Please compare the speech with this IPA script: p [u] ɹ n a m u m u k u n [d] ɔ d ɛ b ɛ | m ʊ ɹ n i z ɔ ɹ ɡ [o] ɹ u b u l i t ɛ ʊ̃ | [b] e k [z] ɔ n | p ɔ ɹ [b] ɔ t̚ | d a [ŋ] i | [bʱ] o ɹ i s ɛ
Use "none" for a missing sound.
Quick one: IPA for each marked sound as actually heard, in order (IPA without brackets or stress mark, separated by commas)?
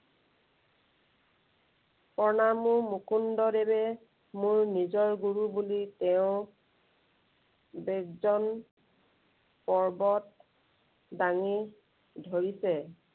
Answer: ɔ, d, u, b, z, b, ŋ, dʱ